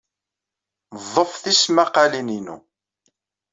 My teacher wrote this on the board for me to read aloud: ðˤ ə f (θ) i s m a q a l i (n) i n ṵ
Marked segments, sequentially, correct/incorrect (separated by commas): correct, correct